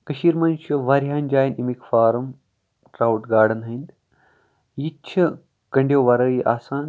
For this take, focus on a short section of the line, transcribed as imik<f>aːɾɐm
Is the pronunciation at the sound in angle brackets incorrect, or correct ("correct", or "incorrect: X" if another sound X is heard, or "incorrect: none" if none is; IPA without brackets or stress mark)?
correct